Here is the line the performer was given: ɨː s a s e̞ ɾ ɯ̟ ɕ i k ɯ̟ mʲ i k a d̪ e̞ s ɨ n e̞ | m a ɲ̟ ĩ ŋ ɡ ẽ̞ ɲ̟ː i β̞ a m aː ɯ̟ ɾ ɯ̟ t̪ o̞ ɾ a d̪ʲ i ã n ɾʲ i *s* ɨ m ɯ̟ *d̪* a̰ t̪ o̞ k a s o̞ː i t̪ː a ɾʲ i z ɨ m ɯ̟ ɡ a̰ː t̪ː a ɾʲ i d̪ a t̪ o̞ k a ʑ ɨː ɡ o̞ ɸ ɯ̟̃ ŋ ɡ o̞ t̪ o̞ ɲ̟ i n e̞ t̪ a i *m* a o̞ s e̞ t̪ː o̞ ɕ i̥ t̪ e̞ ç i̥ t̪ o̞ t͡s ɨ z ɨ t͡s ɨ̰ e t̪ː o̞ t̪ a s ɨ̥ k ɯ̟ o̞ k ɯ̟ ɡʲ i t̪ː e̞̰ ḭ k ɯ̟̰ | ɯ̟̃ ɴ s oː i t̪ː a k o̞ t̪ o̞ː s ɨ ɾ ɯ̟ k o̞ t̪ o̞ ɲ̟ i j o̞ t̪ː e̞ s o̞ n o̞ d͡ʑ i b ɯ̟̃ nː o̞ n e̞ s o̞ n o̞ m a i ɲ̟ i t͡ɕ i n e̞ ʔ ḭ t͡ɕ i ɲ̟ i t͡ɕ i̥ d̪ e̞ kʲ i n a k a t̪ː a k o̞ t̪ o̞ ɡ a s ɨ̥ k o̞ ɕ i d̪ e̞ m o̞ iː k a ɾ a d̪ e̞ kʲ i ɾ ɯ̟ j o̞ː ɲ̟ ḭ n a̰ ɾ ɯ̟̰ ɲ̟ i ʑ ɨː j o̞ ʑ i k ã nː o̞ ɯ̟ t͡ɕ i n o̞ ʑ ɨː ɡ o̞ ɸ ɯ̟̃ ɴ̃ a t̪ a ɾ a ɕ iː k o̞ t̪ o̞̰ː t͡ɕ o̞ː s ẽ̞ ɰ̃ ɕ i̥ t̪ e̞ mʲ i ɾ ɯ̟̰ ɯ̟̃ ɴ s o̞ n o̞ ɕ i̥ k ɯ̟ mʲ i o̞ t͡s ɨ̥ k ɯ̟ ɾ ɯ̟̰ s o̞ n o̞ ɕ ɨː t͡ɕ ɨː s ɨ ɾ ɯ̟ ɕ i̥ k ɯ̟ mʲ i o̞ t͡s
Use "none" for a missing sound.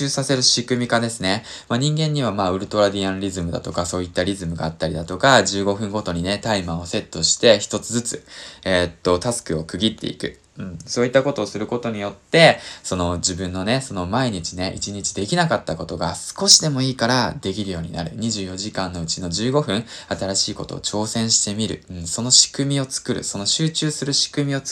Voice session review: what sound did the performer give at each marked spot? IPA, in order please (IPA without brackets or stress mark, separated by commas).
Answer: z, d̪, m